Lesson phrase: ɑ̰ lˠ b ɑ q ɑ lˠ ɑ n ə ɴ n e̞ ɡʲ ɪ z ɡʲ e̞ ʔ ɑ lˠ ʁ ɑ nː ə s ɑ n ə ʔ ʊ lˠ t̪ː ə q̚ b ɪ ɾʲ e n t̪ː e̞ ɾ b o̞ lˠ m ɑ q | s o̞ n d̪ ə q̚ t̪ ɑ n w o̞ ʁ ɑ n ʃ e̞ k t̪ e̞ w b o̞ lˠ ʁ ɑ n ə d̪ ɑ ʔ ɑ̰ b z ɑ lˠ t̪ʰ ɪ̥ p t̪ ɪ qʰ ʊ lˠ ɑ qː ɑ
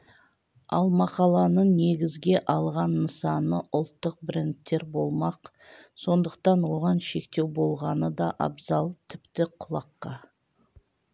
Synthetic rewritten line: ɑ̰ lˠ m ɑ q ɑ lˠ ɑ n ə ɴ n e̞ ɡʲ ɪ z ɡʲ e̞ ʔ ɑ lˠ ʁ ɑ nː ə s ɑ n ə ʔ ʊ lˠ t̪ː ə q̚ b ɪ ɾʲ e n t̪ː e̞ ɾ b o̞ lˠ m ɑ q | s o̞ n d̪ ə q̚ t̪ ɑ n w o̞ ʁ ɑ n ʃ e̞ k t̪ e̞ w b o̞ lˠ ʁ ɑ n ə d̪ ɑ ʔ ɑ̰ b z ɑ lˠ t̪ʰ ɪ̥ p t̪ ɪ qʰ ʊ lˠ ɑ qː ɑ